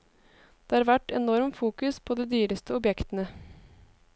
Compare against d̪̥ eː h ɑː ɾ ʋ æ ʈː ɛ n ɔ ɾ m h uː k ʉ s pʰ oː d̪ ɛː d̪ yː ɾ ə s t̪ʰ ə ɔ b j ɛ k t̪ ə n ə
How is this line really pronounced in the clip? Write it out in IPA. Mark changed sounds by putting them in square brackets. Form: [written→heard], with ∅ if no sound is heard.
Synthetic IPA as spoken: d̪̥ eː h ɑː ɾ ʋ æ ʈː ɛ n ɔ ɾ m [h→f] uː k ʉ s pʰ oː d̪ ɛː d̪ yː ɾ ə s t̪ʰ ə ɔ b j ɛ k t̪ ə n ə